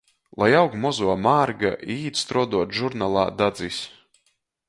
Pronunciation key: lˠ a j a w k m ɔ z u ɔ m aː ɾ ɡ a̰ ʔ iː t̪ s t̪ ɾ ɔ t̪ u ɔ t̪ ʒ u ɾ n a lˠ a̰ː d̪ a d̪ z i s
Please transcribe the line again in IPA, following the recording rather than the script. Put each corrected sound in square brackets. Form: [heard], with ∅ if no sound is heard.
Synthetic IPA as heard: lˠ a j a w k m ɔ z u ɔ m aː ɾ ɡ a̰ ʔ iː t̪ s t̪ ɾ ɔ [d̪] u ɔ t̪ ʒ u ɾ n a lˠ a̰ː d̪ a d̪ z i s